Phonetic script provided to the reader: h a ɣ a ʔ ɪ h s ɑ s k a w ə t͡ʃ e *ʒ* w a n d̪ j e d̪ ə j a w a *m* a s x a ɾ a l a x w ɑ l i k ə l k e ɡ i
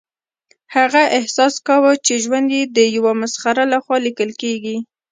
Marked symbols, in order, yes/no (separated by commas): yes, yes